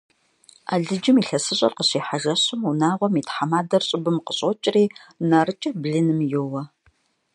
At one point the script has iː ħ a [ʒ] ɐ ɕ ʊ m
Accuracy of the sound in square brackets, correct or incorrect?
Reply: correct